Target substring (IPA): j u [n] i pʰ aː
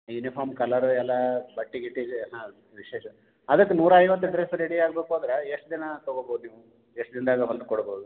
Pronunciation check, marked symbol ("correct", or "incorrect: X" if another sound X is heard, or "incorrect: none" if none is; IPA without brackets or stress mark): correct